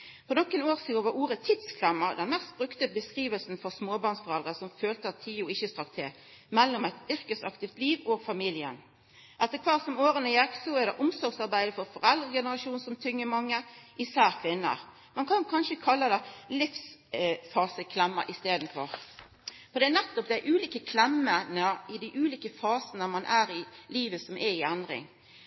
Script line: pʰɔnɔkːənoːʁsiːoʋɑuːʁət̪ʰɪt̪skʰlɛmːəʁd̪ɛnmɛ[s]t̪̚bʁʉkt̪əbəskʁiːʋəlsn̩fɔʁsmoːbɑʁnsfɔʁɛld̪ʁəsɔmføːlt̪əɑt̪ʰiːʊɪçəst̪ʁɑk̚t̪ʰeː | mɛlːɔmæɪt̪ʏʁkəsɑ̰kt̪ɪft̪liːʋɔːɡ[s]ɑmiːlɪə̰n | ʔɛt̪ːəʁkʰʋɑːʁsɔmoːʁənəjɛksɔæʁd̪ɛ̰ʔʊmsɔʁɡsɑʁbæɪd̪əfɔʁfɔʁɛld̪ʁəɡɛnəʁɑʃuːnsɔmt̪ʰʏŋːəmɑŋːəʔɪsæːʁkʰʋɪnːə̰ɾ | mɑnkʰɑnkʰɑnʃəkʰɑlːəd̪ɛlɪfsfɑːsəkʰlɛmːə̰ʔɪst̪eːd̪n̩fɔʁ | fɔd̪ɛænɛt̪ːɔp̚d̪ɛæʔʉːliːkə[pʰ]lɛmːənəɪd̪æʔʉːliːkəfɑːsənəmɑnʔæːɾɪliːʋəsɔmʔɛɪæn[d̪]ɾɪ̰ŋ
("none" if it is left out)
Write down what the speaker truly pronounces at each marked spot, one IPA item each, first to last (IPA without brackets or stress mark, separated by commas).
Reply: s, f, kʰ, d̪